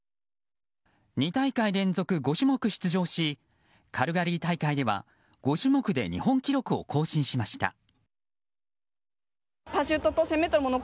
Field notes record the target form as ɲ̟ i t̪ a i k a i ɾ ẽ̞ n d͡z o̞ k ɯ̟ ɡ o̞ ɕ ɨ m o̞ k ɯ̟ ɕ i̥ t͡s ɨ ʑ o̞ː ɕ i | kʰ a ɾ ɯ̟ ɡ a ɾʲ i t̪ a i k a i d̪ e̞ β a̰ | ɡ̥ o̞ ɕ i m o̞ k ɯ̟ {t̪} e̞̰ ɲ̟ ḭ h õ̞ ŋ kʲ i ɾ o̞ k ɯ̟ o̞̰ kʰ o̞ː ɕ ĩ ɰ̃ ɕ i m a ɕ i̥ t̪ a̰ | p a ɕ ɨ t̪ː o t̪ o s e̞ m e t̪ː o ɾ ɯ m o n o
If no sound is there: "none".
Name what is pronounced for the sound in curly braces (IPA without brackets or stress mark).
d̪